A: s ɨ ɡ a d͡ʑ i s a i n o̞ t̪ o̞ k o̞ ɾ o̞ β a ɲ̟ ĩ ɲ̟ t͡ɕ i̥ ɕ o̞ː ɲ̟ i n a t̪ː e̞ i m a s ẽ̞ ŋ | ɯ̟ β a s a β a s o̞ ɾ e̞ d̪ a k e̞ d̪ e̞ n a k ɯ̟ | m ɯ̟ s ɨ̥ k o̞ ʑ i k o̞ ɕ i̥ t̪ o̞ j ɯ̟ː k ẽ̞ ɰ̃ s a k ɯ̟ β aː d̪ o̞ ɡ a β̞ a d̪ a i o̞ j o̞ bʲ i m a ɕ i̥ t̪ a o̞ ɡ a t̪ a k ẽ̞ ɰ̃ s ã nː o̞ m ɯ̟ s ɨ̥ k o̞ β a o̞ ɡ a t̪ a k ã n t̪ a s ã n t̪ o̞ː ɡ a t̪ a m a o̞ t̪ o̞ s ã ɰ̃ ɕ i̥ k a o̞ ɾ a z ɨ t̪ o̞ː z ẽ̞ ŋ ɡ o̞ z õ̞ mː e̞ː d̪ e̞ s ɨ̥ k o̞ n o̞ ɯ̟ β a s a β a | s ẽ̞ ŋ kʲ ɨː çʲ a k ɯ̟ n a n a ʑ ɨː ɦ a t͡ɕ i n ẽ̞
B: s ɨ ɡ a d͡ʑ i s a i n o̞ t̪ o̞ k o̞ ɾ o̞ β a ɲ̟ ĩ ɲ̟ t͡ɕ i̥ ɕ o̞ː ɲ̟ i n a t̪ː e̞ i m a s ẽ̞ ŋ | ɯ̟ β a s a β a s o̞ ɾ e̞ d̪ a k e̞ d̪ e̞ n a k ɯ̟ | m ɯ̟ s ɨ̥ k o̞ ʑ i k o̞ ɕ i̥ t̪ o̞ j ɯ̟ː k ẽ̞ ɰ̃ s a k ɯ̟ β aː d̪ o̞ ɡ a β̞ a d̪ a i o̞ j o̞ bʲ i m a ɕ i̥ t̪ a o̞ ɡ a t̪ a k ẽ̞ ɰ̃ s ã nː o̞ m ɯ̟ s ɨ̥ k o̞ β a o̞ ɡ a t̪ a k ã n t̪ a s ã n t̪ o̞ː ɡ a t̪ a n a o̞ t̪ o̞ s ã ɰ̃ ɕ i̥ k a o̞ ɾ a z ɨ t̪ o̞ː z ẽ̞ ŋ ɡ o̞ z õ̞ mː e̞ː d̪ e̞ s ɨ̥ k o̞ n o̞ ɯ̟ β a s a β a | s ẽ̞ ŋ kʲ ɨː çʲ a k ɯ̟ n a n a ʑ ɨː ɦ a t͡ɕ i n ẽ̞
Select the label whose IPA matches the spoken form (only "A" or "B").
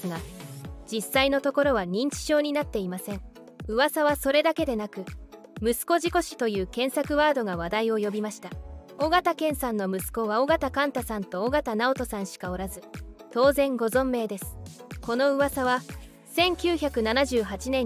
B